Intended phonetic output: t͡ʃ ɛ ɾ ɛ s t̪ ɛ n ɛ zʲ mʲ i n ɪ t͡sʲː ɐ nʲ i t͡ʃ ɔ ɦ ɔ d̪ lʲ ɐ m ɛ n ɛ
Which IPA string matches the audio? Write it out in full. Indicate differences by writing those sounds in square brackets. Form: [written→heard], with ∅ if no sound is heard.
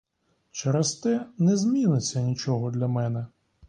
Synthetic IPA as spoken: t͡ʃ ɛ ɾ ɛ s t̪ ɛ n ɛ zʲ mʲ i n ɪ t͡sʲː ɐ nʲ i t͡ʃ ɔ ɦ ɔ d̪ lʲ ɐ m ɛ n ɛ